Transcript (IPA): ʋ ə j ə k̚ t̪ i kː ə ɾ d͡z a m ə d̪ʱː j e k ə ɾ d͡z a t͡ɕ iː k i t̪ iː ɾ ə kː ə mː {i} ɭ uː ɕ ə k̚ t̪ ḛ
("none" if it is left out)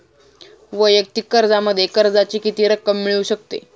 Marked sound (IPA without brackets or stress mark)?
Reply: i